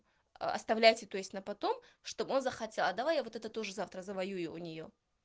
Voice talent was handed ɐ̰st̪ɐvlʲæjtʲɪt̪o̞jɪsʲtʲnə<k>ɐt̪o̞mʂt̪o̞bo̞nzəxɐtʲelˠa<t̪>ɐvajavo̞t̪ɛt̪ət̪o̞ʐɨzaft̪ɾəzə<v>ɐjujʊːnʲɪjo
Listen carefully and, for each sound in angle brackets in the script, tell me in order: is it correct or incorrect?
incorrect: p, incorrect: d̪, correct

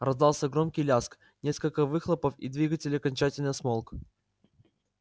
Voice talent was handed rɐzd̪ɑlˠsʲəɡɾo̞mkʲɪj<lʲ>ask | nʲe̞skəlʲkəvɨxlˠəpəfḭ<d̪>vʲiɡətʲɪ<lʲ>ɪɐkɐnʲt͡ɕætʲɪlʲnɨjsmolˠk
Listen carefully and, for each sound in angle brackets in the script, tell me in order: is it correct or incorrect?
correct, correct, correct

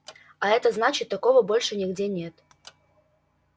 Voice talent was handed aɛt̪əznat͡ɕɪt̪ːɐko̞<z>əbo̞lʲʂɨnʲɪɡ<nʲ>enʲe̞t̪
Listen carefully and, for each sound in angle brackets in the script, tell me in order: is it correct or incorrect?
incorrect: v, incorrect: dʲ

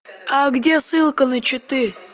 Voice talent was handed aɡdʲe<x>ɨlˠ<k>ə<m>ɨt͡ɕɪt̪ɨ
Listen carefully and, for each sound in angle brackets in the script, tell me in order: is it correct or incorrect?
incorrect: s, correct, incorrect: n

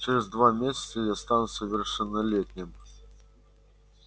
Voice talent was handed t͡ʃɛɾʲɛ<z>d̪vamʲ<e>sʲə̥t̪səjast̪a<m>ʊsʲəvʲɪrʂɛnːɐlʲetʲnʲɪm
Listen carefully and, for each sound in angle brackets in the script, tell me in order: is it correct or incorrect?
correct, correct, incorrect: n

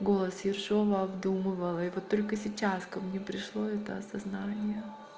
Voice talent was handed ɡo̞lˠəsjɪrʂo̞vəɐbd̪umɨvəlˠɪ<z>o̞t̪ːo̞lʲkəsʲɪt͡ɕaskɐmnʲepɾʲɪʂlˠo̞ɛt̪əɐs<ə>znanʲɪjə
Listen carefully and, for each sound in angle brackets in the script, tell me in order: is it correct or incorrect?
incorrect: v, incorrect: ɐ

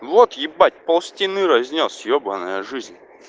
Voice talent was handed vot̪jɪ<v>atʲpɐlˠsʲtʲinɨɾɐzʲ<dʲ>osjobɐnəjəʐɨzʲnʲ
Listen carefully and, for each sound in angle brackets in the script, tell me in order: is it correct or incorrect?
incorrect: b, incorrect: nʲ

